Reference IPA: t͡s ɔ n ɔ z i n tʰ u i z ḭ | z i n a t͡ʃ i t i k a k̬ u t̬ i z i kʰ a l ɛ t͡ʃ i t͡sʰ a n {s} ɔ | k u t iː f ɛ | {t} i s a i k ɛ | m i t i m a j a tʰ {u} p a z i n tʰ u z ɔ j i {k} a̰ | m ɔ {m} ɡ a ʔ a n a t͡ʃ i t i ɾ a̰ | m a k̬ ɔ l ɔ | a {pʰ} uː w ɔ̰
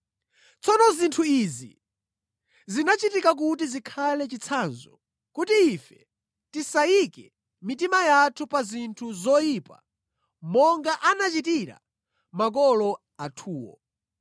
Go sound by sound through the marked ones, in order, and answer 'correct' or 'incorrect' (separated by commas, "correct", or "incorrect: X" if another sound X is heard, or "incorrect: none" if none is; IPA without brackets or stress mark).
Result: incorrect: z, correct, correct, incorrect: p, incorrect: ŋ, incorrect: tʰ